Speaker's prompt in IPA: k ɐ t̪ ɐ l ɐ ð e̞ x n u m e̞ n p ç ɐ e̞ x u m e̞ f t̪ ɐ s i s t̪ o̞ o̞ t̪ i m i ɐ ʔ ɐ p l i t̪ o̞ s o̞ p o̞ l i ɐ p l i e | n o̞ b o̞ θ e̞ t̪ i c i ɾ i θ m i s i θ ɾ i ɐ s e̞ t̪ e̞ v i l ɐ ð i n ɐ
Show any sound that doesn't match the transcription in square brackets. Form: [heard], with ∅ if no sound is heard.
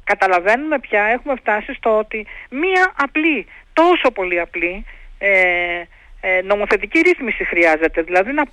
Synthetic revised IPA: k ɐ t̪ ɐ l ɐ [v] e̞ [∅] n u m e̞ [∅] p ç ɐ e̞ x u m e̞ f t̪ ɐ s i s t̪ o̞ o̞ t̪ i m i ɐ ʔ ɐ p l i t̪ o̞ s o̞ p o̞ l i ɐ p l i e | n o̞ [m] o̞ θ e̞ t̪ i c i ɾ i θ m i s i [x] ɾ i ɐ [z] e̞ t̪ e̞ [ð] i l ɐ ð i n ɐ